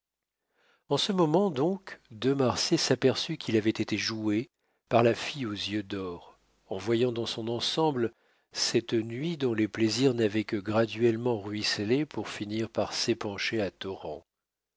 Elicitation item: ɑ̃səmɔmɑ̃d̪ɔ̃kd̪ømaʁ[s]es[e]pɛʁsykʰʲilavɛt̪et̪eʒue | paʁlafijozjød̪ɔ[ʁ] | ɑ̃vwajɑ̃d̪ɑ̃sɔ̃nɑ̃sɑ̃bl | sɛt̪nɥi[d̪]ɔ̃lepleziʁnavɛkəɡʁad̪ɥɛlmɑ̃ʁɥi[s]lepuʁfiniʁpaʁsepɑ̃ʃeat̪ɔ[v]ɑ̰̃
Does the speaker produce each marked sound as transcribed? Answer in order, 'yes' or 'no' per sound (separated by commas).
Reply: yes, no, yes, yes, yes, no